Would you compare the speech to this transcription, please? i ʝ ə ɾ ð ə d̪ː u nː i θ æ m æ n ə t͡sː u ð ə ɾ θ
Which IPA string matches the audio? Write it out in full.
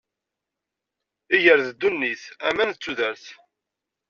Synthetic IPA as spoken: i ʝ ə ɾ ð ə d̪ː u nː i θ æ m æ n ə t͡sː u ð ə ɾ θ